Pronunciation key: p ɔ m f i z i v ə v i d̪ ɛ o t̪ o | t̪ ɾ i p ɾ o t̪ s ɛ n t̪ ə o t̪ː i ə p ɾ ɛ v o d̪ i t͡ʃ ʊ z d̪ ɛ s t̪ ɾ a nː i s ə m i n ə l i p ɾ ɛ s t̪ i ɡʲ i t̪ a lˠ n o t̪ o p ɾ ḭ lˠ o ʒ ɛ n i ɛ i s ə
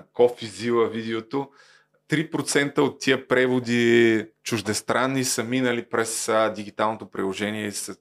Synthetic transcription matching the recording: k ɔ f i z i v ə v i d̪ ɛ o t̪ o | t̪ ɾ i p ɾ o t̪ s ɛ n t̪ ə o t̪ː i ə p ɾ ɛ v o d̪ i t͡ʃ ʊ ʒ d̪ ɛ s t̪ ɾ a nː i s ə m i n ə l i p ɾ ɛ s d̪ i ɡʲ i t̪ a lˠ n o t̪ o p ɾ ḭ lˠ o ʒ ɛ n i ɛ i s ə